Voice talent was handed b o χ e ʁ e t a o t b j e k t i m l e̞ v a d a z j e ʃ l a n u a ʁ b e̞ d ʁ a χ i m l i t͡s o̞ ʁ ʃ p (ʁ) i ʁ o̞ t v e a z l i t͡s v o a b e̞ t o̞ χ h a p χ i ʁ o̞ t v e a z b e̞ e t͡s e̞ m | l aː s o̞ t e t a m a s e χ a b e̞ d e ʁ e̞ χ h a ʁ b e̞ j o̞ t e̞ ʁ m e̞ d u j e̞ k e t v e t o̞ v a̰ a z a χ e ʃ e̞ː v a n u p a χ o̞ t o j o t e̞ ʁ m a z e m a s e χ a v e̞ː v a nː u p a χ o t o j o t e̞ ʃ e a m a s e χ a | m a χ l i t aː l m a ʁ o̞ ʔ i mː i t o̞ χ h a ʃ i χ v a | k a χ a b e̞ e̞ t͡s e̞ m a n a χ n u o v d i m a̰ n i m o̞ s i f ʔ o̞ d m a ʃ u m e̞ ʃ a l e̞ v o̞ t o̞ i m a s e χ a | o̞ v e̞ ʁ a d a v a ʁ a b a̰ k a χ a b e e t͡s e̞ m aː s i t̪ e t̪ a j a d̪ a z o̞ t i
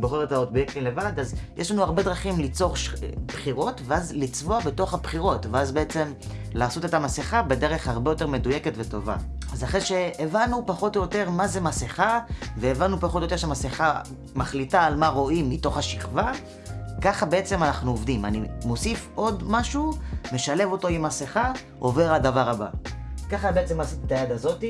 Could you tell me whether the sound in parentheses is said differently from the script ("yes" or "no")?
yes